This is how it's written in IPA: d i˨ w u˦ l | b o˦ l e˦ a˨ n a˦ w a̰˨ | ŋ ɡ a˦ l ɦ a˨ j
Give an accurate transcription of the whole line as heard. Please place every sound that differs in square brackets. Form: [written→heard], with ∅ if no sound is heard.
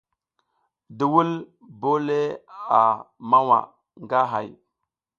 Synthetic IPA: d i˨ w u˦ l | b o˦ l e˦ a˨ [n→m] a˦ w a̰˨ | ŋ ɡ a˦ [l→∅] ɦ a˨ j

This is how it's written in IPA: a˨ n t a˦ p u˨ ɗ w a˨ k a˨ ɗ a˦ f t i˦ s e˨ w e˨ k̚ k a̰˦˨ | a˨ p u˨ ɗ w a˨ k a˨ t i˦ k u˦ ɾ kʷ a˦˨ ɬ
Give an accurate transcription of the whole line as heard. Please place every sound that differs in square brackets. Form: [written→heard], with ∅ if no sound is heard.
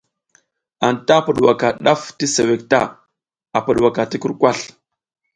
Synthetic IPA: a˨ n t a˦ p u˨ ɗ w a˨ k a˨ ɗ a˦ f t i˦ s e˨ w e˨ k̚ [k→t] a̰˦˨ | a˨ p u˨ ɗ w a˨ k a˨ t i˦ k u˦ ɾ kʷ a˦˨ ɬ

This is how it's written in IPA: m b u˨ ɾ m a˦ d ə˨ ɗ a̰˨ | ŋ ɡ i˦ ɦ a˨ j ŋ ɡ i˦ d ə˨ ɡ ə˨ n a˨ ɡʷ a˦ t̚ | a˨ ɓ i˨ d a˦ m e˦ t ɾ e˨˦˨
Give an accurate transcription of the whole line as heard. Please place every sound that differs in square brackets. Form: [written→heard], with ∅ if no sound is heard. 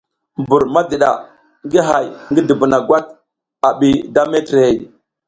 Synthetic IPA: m b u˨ ɾ m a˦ d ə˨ ɗ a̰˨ | ŋ ɡ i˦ ɦ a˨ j ŋ ɡ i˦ d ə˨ [ɡ→b] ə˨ n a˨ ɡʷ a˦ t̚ | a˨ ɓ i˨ d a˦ m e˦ t ɾ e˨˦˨

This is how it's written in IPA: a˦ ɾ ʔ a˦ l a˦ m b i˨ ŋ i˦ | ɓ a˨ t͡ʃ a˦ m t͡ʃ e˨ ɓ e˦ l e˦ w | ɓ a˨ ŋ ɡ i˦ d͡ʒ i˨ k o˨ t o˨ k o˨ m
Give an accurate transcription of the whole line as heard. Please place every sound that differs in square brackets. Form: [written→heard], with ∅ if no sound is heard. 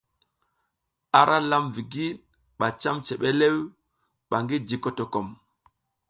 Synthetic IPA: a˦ ɾ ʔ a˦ l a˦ m [b→v] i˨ [ŋ→ɡ] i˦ | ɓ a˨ t͡ʃ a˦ m t͡ʃ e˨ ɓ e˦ l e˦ w | ɓ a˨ ŋ ɡ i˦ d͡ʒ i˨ k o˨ t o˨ k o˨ m

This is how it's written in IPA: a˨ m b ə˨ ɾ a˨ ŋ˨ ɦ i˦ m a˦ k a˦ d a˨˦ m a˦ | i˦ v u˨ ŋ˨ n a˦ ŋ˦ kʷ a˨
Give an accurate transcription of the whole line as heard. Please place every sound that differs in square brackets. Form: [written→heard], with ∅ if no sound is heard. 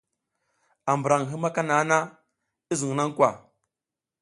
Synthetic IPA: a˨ m b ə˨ ɾ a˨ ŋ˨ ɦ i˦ m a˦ k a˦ [d→n] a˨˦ [m→n] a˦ | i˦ [v→z] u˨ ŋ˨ n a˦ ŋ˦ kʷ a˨

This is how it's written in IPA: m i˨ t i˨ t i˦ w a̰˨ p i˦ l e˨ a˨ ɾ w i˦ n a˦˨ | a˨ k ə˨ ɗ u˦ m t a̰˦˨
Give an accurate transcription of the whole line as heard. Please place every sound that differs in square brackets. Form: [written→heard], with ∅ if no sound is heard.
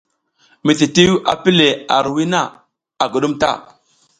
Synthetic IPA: m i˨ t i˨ t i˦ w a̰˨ p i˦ l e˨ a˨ ɾ w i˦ n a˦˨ | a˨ [k→ɡ] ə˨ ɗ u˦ m t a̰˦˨

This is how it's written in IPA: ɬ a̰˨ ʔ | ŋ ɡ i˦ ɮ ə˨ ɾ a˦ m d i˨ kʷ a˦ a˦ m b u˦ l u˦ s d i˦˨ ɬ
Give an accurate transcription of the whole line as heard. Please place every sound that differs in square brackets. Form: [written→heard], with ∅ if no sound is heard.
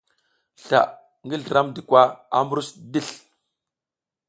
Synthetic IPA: ɬ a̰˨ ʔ | ŋ ɡ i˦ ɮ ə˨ ɾ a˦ m d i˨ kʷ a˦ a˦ m b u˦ [l→ɾ] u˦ s d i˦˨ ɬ

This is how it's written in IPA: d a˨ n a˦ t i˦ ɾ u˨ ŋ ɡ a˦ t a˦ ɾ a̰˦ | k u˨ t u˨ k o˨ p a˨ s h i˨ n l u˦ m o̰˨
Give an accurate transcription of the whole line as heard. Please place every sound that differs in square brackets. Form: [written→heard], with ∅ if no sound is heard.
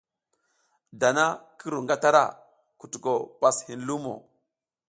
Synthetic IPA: d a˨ n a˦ [t→k] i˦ ɾ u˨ ŋ ɡ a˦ t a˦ ɾ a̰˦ | k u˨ t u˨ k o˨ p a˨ s h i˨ n l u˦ m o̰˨

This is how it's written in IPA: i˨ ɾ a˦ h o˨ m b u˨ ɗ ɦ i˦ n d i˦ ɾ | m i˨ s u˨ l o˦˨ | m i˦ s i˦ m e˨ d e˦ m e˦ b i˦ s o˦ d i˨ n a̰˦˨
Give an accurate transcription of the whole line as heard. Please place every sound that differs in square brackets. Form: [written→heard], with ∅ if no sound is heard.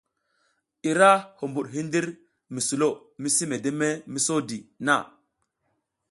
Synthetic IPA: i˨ ɾ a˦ h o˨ m b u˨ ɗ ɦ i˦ n d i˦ ɾ | m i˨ s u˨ l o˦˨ | m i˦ s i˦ m e˨ d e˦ m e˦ [b→m] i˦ s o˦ d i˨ n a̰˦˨

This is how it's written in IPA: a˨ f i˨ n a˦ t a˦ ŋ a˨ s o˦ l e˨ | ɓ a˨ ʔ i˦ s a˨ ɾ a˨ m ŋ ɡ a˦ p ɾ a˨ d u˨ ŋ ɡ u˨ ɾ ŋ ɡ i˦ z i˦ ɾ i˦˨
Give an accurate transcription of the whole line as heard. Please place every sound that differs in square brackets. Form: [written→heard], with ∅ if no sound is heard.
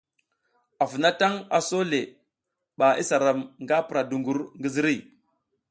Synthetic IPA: a˨ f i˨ n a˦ t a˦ ŋ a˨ s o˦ l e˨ | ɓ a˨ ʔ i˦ s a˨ ɾ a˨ m ŋ ɡ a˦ p ɾ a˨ d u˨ ŋ ɡ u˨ ɾ ŋ ɡ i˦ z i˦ ɾ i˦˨

